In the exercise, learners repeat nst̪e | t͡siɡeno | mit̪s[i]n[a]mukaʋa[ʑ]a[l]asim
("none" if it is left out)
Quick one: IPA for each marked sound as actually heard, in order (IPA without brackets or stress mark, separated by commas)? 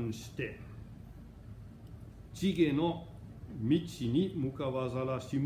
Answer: i, i, z, l